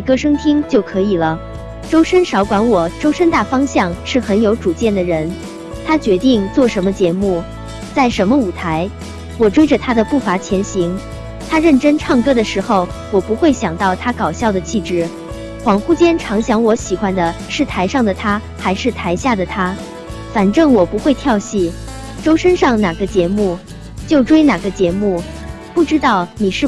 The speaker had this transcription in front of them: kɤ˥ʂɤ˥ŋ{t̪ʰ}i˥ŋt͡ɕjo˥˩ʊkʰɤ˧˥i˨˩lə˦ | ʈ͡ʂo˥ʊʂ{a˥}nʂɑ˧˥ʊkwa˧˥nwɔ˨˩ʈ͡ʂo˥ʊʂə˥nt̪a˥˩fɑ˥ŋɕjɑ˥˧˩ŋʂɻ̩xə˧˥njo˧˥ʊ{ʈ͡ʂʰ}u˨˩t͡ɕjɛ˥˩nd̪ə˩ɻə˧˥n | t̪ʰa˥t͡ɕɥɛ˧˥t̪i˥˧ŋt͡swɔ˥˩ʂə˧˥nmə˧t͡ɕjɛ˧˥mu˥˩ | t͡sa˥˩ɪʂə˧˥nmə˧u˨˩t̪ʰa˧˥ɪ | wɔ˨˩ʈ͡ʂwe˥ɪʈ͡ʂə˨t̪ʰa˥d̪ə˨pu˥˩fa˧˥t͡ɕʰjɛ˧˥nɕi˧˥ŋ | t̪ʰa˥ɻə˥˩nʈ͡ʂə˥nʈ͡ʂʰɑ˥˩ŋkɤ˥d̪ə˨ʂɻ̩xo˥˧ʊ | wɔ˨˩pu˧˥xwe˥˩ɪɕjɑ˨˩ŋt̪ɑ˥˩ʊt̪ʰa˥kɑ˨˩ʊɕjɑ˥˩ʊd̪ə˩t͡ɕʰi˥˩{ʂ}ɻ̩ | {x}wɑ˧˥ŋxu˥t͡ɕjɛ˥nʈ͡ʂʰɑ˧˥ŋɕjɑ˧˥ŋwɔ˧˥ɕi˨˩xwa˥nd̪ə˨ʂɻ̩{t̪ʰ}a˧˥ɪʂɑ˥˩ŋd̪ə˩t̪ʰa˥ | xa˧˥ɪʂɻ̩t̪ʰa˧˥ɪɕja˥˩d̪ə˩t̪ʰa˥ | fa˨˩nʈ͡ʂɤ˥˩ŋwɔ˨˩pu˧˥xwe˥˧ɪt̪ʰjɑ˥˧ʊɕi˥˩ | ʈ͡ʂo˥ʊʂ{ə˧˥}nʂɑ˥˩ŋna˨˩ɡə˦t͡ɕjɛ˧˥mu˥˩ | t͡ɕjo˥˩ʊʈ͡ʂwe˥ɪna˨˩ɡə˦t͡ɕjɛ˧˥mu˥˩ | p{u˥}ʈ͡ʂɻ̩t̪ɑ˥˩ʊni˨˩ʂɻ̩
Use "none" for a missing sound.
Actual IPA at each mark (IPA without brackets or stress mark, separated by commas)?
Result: t̪ʰ, ə˥, ʈ͡ʂ, ʈ͡ʂ, x, t̪ʰ, ə˥, u˥˩